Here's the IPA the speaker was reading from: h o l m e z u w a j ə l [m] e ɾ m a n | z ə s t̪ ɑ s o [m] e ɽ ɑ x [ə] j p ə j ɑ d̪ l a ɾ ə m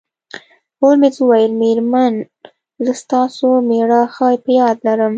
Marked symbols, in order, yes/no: yes, yes, no

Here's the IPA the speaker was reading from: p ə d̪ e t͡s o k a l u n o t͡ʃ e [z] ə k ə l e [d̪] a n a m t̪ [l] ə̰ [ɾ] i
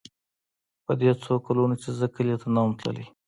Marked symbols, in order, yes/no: yes, no, yes, no

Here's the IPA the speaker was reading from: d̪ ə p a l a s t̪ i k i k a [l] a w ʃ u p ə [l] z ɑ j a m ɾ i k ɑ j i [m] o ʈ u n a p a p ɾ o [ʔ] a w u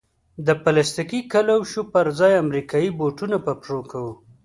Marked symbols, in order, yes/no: yes, no, no, no

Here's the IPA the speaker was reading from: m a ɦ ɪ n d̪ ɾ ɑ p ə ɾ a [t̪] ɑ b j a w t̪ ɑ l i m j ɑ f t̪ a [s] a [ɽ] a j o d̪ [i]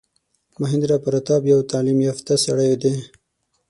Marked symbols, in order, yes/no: yes, yes, yes, no

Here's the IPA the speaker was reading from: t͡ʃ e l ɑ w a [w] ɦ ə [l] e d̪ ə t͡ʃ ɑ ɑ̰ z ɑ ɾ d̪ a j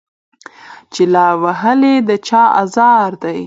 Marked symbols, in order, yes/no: no, yes

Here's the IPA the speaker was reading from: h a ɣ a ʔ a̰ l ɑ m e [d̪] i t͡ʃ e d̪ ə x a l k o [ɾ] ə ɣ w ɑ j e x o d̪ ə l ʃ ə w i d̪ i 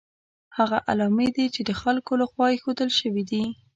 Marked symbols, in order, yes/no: yes, no

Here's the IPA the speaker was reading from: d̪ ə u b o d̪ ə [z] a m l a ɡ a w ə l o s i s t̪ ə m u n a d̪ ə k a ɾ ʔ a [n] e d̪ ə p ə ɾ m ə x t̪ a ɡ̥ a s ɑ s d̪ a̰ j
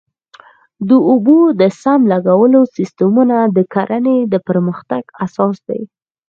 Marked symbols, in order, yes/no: no, yes

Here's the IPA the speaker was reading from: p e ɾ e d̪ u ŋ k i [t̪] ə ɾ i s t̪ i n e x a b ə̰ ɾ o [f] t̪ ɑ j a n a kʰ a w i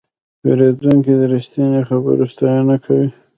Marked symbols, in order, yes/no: no, no

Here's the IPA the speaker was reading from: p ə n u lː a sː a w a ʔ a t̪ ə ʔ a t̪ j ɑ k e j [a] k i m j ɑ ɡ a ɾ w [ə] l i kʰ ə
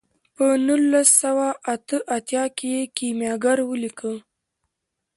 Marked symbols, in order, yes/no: no, yes

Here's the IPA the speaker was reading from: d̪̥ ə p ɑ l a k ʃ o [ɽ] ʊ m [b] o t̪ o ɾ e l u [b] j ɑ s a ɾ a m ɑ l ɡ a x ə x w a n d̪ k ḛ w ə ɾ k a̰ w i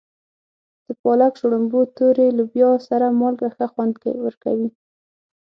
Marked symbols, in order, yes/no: yes, yes, yes

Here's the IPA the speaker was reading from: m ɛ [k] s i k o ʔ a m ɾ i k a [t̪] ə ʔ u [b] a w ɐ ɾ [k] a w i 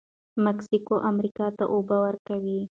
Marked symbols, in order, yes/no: yes, yes, yes, yes

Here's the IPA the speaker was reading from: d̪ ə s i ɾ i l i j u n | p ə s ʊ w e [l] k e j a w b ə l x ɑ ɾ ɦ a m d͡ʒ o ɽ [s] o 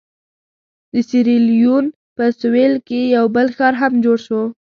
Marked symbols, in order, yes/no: yes, no

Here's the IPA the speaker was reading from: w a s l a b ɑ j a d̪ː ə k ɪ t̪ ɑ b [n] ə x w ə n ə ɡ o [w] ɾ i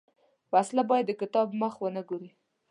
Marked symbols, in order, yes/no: no, no

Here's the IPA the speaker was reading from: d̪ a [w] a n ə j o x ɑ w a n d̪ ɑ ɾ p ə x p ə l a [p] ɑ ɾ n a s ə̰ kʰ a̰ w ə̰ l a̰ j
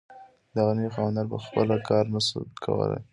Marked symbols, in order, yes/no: no, no

